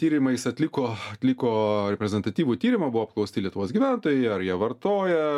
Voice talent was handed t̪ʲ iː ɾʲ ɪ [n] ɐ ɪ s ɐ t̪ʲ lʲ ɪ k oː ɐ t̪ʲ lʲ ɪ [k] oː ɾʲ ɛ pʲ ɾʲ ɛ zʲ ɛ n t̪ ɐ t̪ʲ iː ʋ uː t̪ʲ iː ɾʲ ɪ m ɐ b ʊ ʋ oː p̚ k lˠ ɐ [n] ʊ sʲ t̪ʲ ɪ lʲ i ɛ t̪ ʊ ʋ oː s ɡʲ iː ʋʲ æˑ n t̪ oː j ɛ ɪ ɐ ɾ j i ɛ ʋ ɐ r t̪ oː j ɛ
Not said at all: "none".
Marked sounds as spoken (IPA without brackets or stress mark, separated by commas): m, k, none